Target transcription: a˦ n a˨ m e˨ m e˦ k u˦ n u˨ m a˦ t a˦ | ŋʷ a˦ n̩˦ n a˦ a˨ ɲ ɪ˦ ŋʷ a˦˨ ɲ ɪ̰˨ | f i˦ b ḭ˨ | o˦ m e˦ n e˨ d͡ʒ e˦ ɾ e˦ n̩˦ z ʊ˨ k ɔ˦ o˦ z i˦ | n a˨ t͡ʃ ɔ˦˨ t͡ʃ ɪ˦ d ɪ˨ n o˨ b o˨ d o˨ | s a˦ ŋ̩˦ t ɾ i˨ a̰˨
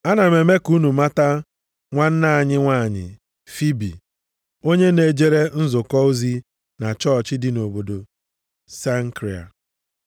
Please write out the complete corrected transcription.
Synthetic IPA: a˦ n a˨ m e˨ m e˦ k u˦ n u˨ m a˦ t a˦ | ŋʷ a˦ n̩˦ n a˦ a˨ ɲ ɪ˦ ŋʷ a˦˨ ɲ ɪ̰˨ | f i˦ b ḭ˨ | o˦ ɲ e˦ n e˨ d͡ʒ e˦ ɾ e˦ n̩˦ z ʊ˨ k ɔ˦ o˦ z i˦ | n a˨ t͡ʃ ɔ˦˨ t͡ʃ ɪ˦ d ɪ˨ n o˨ b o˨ d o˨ | s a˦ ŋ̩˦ k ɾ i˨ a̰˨

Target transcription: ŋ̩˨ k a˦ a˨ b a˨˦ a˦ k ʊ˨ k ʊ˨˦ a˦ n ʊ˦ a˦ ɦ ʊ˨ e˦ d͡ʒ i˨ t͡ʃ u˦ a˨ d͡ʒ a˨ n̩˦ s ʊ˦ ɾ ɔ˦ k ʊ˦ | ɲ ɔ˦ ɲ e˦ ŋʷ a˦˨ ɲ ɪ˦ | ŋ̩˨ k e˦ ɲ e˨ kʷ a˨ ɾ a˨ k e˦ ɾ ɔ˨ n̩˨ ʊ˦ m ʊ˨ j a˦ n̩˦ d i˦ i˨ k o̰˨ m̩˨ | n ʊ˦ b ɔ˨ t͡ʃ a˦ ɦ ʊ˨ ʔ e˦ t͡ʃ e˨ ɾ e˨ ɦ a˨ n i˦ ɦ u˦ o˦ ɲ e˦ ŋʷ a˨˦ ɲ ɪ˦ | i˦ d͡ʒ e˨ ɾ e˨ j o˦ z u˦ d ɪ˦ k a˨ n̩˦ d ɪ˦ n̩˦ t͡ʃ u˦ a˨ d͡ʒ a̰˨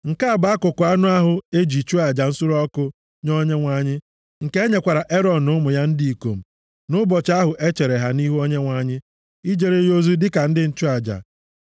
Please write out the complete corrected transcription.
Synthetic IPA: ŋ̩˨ k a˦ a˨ b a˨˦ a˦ k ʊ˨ k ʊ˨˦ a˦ n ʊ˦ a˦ ɦ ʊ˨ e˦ d͡ʒ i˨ t͡ʃ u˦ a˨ d͡ʒ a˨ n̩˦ s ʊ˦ ɾ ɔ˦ k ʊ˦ | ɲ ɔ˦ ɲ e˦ ŋʷ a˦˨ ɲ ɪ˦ | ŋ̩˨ k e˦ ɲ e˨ kʷ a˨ ɾ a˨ ʔ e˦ ɾ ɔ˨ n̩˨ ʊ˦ m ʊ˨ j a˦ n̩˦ d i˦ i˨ k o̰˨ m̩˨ | n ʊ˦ b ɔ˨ t͡ʃ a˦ ɦ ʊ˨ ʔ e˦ t͡ʃ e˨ ɾ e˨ ɦ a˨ n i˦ ɦ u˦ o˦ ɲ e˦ ŋʷ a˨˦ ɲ ɪ˦ | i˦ d͡ʒ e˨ ɾ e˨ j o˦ z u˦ d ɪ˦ k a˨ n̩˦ d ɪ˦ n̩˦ t͡ʃ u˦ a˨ d͡ʒ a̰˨

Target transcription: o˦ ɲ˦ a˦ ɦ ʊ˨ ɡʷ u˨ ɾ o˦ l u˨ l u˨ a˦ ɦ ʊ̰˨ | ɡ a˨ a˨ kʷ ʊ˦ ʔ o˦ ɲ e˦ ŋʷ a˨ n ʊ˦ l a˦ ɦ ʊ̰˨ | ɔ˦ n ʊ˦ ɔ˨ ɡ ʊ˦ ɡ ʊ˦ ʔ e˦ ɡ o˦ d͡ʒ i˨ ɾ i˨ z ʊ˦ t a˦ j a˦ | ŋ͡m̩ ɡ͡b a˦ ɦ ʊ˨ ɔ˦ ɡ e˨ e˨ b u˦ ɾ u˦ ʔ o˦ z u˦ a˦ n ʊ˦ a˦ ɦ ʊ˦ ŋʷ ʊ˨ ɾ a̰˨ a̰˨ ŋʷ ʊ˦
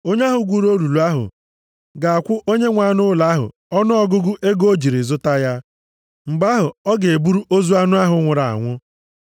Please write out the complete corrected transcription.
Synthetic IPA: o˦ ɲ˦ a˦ ɦ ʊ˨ ɡʷ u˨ ɾ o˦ l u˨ l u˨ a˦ ɦ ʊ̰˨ | ɡ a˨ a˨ kʷ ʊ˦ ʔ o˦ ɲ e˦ ŋʷ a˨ n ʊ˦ l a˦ ɦ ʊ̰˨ | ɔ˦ n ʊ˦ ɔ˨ ɡ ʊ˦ ɡ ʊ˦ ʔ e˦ ɡ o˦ d͡ʒ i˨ ɾ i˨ z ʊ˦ t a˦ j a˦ | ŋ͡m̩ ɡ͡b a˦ ɦ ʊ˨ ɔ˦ ɡ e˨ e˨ b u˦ ɾ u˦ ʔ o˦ z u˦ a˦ n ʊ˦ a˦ ɦ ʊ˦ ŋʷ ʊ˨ ɾ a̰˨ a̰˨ ŋʷ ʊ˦

